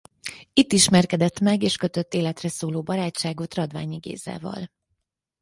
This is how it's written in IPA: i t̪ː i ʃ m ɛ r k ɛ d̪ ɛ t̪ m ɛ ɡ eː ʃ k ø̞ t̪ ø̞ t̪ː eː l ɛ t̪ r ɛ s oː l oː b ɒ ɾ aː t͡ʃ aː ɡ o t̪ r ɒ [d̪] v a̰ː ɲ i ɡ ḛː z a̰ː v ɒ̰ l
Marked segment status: correct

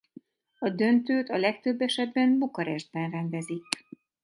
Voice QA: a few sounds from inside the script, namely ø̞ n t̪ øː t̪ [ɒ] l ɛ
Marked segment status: correct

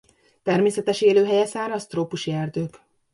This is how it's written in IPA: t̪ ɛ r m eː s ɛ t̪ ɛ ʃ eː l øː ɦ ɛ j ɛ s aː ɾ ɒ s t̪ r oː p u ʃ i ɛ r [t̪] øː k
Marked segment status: incorrect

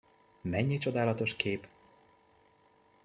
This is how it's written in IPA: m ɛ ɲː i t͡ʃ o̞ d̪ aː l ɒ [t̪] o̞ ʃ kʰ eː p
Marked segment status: correct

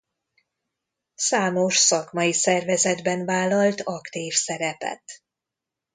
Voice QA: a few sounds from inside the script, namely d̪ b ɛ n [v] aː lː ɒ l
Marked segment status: correct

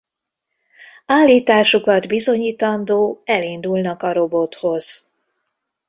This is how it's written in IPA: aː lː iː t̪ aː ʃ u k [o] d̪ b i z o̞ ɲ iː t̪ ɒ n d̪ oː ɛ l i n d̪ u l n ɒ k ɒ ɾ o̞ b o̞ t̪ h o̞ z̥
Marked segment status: incorrect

